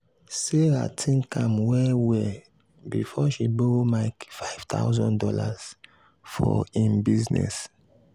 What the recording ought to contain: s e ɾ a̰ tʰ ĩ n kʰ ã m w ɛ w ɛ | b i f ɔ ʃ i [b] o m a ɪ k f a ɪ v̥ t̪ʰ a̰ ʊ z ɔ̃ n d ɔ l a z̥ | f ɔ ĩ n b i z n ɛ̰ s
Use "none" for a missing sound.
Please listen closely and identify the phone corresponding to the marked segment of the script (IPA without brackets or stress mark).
b